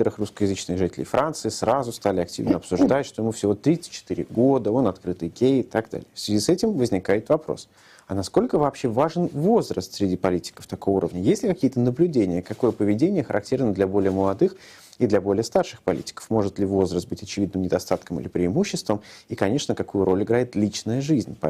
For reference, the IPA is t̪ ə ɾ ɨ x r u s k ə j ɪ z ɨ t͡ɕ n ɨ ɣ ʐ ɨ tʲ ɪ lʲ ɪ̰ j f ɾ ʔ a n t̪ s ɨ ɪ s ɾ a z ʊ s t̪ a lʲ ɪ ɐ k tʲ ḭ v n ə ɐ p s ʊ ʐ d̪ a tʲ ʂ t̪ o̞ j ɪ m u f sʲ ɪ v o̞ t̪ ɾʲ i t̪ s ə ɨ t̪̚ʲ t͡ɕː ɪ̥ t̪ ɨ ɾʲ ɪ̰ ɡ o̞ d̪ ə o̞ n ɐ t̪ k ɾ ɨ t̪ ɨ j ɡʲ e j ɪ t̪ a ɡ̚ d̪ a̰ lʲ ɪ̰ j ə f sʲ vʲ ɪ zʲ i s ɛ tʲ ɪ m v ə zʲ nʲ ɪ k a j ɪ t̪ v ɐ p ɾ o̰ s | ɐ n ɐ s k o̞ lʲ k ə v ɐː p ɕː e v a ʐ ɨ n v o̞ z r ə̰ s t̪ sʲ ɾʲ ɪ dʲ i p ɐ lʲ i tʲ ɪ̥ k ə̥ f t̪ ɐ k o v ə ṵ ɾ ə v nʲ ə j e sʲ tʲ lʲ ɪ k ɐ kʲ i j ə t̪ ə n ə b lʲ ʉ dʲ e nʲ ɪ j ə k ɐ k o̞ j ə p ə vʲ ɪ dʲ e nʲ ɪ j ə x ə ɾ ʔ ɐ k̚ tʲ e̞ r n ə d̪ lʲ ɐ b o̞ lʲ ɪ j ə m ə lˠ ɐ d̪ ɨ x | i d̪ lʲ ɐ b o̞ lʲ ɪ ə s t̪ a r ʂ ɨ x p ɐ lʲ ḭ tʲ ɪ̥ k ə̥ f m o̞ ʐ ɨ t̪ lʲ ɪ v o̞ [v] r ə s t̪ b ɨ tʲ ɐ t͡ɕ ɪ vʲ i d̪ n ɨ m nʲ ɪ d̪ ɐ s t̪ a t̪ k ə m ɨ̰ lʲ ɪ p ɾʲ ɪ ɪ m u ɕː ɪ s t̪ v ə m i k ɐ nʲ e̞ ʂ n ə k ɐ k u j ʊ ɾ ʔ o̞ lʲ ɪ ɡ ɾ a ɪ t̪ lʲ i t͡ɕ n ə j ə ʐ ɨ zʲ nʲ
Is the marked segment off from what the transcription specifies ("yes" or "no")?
yes